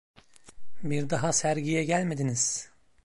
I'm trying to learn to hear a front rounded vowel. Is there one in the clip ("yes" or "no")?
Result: no